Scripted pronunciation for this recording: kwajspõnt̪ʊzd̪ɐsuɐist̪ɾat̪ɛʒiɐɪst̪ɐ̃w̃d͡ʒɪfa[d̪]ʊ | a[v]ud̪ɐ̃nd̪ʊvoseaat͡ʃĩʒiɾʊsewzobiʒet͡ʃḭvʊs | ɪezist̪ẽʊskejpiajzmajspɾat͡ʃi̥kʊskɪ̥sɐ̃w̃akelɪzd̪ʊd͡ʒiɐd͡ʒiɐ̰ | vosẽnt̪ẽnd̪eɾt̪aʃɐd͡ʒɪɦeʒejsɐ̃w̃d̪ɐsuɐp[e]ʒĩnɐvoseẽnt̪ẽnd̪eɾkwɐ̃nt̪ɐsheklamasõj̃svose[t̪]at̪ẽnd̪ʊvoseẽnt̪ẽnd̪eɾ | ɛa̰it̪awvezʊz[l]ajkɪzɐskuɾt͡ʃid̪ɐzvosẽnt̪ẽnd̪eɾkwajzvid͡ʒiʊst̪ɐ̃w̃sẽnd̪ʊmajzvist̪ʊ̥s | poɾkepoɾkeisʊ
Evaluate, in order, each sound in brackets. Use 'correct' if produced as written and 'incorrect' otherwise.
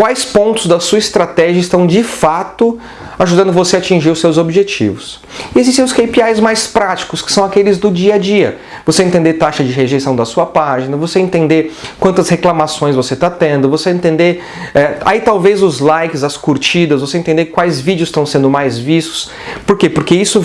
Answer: incorrect: t̪, incorrect: ʒ, incorrect: a, correct, correct

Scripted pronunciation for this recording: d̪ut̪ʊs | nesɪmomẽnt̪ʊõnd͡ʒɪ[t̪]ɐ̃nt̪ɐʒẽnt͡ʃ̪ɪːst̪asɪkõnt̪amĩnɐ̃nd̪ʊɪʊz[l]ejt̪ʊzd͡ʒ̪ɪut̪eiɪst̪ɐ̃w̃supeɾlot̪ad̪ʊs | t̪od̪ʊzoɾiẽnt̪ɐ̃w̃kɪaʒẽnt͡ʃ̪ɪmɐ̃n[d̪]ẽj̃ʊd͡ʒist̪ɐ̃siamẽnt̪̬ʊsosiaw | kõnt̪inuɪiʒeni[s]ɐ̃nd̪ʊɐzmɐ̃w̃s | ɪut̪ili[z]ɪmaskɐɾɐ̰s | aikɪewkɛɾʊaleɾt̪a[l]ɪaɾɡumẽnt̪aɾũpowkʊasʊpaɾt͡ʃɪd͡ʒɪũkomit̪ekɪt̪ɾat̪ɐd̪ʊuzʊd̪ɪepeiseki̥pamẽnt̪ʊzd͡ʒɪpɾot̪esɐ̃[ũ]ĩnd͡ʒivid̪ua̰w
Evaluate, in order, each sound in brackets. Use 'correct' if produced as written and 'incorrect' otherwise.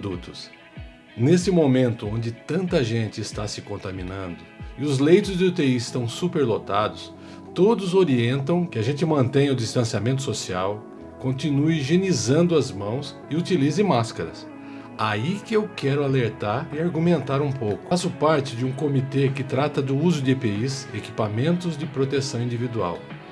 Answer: correct, correct, incorrect: t̪, incorrect: z, correct, incorrect: ɾ, incorrect: w̃

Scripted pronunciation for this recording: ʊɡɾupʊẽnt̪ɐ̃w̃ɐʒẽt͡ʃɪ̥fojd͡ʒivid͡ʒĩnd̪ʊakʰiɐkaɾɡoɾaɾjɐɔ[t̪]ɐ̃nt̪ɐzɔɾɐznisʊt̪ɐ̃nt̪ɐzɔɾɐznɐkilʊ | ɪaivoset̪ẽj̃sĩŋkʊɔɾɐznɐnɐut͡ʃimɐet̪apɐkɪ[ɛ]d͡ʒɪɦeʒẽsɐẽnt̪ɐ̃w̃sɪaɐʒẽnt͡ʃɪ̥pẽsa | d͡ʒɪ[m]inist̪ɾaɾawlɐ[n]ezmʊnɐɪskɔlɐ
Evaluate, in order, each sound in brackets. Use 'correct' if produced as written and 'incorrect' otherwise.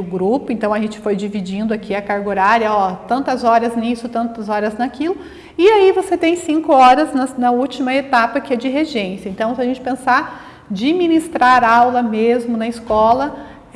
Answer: correct, correct, correct, incorrect: m

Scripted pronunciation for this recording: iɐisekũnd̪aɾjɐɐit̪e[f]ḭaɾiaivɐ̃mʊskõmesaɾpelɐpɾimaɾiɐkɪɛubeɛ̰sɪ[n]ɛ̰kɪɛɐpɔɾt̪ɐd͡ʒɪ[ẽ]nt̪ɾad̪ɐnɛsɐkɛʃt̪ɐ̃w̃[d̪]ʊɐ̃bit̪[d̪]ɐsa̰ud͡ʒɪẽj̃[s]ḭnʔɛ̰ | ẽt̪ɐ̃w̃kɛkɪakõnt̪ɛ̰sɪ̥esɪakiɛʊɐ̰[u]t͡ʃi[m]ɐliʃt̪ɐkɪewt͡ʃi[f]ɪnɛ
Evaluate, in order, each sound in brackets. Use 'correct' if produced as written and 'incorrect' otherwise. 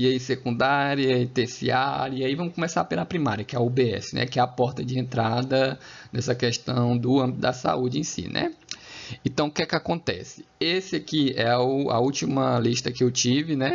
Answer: incorrect: s, correct, correct, correct, correct, correct, correct, correct, incorrect: v

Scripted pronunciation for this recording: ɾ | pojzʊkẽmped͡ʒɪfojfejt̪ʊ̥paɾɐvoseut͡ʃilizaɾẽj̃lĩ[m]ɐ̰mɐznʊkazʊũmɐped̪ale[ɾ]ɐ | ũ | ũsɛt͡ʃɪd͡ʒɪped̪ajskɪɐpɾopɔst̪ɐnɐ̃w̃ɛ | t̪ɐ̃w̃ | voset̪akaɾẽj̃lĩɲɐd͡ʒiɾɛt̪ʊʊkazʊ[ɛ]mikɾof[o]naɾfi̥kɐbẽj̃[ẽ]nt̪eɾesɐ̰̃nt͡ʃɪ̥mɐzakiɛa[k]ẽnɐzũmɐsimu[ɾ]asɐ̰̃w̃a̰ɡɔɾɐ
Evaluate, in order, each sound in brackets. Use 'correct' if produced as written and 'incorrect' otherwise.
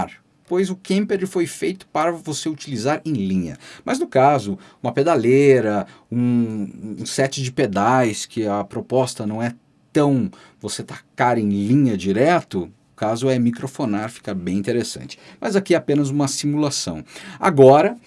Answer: incorrect: ɲ, correct, correct, correct, incorrect: ĩ, incorrect: p, incorrect: l

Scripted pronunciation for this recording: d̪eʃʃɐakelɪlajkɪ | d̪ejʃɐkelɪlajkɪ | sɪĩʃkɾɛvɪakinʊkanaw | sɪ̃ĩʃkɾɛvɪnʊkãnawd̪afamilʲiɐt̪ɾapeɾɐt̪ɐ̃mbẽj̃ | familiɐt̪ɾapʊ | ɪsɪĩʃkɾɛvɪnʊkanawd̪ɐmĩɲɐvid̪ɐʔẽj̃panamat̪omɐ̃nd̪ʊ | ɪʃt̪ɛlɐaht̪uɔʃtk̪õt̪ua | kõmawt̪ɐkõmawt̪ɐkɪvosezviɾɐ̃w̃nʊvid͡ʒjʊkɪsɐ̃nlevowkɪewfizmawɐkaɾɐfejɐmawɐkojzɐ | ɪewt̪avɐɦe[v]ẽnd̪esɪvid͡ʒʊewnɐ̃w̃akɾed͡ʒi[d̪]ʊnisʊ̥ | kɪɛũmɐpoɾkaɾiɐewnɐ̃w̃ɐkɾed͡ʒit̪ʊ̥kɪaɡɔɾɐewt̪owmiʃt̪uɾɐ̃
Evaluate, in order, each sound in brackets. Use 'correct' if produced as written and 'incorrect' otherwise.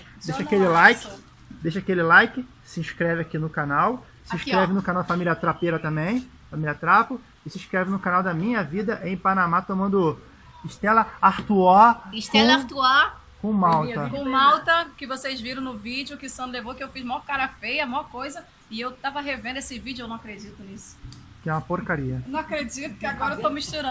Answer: correct, incorrect: t̪

